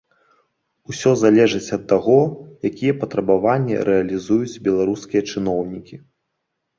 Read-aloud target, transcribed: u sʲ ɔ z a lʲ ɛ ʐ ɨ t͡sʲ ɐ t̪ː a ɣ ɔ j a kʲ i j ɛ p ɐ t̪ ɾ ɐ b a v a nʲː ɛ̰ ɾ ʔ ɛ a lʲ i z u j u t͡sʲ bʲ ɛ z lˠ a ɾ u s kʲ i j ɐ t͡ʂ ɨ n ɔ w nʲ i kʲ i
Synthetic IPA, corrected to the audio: u sʲ ɔ z a lʲ ɛ ʐ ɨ t͡sʲ ɐ t̪ː a ɣ ɔ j a kʲ i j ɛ p ɐ t̪ ɾ ɐ b a v a nʲː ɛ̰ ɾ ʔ ɛ ɐ lʲ i z u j u t͡sʲ bʲ ɛ lˠ a ɾ u s kʲ i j ɐ t͡ʂ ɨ n ɔ w nʲ i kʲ i